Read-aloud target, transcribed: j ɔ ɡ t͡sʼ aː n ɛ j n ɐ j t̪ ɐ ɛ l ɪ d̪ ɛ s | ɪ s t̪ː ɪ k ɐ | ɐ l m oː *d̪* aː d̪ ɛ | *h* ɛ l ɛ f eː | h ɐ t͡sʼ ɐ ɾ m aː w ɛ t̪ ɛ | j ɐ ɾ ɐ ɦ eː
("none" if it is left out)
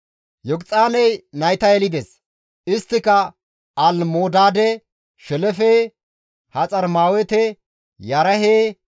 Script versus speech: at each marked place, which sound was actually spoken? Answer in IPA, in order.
d̪, ʃ

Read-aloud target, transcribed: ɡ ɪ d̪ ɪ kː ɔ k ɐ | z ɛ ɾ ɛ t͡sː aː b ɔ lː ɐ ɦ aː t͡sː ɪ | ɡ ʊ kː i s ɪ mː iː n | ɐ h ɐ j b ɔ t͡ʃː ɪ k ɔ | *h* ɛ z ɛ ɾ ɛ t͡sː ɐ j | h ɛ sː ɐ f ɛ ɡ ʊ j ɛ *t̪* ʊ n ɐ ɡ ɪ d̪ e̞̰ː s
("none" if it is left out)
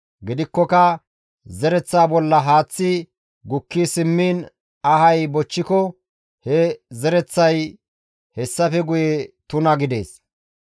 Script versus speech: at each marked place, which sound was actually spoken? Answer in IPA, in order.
h, t̪

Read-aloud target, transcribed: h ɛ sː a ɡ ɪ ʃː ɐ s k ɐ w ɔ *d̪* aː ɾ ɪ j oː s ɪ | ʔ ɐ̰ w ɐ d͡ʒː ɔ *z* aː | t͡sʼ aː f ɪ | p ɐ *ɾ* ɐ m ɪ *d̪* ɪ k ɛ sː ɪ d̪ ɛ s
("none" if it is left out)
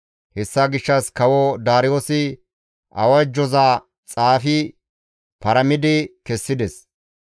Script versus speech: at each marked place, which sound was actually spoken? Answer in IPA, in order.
d̪, z, ɾ, d̪

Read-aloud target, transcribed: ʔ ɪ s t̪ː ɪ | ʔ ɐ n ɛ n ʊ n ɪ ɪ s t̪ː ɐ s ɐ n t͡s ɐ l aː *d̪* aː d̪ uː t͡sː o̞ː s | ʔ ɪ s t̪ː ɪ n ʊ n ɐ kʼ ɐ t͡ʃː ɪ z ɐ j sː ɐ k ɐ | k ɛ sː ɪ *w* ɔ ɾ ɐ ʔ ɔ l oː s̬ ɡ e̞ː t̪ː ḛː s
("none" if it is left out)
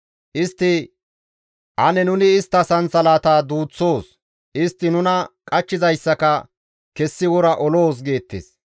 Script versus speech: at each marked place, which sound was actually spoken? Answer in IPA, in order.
t̪, w

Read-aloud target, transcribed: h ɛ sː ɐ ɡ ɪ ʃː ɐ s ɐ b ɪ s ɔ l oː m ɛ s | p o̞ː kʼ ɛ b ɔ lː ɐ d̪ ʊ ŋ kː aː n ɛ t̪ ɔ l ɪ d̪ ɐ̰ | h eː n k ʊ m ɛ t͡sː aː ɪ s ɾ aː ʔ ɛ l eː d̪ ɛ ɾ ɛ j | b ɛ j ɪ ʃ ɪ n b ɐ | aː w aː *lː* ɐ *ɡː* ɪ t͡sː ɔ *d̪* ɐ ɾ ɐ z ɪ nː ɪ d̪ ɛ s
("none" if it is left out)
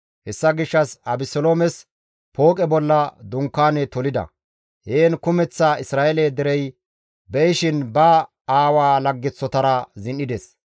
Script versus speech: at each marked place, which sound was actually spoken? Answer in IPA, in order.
l, ɡː, t̪

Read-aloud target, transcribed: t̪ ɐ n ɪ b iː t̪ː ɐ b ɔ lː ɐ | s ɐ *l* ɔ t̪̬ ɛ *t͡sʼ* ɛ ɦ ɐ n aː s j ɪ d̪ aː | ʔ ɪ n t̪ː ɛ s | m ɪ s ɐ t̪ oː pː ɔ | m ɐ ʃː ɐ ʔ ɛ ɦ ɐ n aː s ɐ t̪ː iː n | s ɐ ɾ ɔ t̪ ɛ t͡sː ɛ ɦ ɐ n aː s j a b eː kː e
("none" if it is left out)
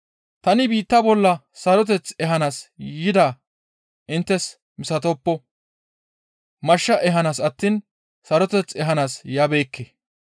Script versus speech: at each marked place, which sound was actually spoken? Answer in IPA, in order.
ɾ, t͡s

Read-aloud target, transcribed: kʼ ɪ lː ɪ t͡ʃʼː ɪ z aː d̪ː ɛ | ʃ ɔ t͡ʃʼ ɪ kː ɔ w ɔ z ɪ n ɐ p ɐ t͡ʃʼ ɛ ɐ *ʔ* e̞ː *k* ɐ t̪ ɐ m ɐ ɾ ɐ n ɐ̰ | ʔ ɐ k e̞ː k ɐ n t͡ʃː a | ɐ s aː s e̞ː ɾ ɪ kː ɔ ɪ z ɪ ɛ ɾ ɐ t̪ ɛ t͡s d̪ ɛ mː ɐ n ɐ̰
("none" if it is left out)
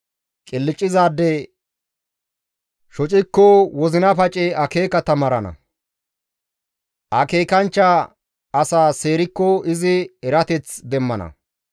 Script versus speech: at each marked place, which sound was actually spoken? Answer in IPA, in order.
k, k

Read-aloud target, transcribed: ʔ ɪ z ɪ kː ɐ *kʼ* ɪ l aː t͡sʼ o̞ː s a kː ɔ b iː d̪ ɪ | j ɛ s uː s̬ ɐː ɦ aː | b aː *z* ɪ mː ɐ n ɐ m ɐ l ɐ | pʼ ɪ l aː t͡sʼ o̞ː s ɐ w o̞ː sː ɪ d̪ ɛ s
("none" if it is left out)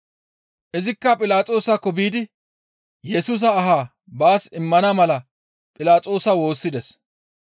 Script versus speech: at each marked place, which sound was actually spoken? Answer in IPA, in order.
pʼ, s

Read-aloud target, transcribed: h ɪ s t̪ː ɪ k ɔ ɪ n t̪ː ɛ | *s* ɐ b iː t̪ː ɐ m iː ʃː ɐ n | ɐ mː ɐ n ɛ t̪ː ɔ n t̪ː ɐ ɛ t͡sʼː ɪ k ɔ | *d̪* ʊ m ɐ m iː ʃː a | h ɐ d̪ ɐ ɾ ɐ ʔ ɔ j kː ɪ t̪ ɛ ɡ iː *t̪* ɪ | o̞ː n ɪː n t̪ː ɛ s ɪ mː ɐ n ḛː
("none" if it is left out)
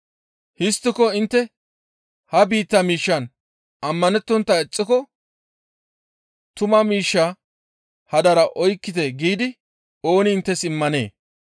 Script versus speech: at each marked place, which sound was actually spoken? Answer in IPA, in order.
h, t̪, d̪

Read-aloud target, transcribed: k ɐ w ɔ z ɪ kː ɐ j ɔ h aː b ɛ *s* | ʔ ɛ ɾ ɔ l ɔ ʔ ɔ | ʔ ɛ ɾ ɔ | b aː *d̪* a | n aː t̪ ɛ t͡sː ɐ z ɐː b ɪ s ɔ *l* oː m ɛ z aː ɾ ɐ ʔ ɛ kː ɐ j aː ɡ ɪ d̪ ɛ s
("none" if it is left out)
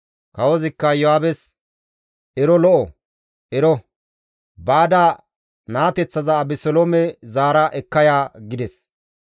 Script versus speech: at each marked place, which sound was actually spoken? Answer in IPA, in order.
s, d̪, l

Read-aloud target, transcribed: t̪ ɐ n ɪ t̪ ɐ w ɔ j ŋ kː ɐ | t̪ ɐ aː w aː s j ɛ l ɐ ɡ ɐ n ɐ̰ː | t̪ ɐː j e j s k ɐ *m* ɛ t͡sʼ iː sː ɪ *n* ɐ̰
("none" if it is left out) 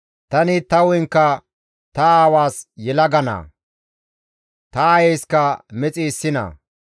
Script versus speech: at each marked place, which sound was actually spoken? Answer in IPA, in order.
m, n

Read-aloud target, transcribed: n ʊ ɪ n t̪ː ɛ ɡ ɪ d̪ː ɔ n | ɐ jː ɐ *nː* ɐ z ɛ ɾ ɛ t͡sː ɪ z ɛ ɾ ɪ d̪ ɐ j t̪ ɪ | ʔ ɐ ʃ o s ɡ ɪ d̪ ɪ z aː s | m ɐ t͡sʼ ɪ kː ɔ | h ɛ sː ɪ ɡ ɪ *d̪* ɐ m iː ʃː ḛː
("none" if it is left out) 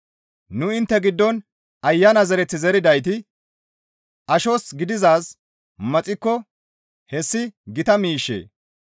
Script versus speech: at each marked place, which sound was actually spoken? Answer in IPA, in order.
n, t̪

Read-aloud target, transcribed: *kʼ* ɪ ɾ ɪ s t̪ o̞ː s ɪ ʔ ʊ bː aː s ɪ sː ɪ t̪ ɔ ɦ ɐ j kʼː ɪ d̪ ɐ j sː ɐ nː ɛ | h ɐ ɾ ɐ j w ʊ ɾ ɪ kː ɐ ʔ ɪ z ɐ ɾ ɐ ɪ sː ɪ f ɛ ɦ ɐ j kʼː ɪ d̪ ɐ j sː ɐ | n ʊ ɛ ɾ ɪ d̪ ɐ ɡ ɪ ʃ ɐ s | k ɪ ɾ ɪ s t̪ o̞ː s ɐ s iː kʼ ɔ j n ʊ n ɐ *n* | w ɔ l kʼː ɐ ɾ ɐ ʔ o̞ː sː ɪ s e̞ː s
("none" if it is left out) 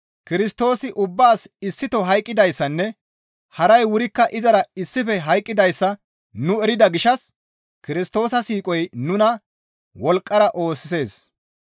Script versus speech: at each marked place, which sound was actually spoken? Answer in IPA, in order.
k, none

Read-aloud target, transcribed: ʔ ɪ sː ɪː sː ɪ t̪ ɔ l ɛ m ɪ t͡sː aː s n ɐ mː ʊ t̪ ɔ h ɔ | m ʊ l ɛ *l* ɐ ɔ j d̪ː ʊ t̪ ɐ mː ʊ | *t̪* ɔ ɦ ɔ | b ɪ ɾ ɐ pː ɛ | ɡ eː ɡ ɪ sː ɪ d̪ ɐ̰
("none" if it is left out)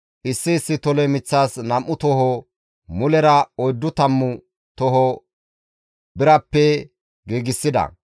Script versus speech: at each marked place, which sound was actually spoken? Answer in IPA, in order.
ɾ, t̪

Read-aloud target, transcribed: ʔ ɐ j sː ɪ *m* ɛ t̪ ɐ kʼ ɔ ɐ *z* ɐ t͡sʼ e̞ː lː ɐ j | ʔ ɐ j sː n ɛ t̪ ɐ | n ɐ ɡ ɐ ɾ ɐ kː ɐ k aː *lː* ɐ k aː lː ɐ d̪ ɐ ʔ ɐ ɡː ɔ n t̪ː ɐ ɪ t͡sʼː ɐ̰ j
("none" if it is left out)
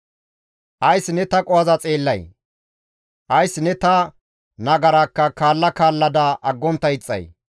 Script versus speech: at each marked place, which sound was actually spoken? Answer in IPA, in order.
n, z, lː

